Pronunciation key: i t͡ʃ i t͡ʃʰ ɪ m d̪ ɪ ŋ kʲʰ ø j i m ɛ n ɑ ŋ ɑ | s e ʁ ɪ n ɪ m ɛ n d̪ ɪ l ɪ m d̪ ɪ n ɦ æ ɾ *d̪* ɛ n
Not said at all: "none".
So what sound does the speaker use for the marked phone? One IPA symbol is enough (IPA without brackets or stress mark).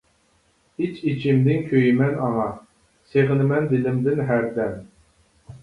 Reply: d̪